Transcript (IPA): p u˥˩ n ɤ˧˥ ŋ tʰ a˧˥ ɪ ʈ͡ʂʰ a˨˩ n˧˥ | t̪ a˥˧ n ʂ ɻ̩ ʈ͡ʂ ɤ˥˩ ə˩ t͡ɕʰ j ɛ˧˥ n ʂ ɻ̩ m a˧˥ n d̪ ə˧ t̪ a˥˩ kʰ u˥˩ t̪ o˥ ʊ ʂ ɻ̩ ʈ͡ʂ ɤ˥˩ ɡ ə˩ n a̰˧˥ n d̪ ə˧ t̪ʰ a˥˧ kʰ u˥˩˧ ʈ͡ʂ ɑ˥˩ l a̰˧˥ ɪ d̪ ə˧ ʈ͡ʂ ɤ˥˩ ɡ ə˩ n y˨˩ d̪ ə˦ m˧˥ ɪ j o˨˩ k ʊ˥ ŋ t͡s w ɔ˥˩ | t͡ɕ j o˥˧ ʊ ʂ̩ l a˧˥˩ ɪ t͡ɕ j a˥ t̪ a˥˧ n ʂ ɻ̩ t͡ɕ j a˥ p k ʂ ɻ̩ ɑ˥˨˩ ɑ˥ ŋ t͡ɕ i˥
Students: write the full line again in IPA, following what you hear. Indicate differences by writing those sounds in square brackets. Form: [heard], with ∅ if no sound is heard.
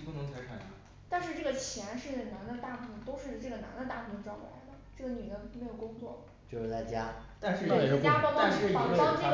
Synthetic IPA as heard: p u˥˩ n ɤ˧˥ ŋ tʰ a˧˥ ɪ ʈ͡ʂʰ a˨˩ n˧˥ | t̪ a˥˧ n ʂ ɻ̩ ʈ͡ʂ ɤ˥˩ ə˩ t͡ɕʰ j ɛ˧˥ n ʂ ɻ̩ [n] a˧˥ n d̪ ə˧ t̪ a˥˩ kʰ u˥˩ t̪ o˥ ʊ ʂ ɻ̩ ʈ͡ʂ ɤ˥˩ ɡ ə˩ n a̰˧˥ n d̪ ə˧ [t̪] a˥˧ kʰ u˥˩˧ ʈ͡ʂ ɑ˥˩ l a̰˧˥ ɪ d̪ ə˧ ʈ͡ʂ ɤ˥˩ ɡ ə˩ n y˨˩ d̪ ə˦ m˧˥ ɪ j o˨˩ k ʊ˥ ŋ t͡s w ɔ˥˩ | t͡ɕ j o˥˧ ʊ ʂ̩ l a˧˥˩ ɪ t͡ɕ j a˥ t̪ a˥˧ n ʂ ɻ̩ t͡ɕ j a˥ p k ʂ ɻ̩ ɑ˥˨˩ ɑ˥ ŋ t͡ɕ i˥